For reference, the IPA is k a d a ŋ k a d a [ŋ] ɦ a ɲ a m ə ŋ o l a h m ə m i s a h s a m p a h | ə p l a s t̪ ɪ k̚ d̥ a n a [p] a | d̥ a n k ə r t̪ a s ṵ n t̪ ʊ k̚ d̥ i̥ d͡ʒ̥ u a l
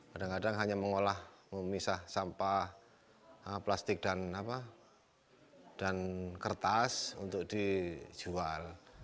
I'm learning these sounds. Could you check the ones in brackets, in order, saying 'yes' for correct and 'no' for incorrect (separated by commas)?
yes, yes